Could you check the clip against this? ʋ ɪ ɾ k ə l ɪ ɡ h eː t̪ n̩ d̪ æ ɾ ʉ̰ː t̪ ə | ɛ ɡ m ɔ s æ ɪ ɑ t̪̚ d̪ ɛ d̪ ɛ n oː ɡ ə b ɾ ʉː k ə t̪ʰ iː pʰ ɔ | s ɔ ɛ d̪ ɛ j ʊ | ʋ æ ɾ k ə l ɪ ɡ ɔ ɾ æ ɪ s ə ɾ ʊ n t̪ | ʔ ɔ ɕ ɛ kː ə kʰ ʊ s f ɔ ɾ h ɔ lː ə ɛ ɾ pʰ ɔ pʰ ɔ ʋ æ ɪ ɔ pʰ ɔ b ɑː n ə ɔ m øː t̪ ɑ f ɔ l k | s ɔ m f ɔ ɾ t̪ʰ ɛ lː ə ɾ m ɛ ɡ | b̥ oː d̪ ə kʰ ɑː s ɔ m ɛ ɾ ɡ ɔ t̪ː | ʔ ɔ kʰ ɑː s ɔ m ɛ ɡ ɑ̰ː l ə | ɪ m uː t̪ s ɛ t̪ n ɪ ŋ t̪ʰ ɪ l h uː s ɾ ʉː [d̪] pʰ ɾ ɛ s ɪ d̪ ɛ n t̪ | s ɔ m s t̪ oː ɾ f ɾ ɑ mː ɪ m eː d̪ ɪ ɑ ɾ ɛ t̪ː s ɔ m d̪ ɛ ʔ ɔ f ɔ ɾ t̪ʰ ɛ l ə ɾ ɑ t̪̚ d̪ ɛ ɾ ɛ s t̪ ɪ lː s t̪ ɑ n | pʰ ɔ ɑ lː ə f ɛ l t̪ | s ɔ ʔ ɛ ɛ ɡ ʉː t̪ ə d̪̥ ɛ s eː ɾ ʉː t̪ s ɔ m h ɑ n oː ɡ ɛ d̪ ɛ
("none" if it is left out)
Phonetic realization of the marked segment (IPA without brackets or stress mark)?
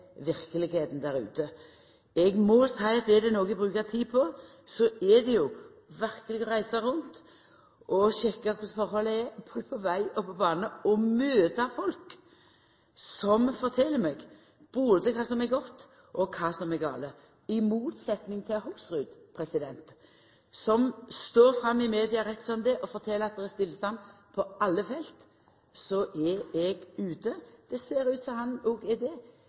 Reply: d̪